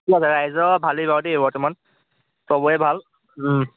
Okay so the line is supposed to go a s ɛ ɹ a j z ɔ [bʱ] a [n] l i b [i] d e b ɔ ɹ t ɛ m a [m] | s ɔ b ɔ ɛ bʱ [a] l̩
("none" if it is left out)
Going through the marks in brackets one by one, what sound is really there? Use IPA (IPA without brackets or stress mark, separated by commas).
bʱ, none, a, n, a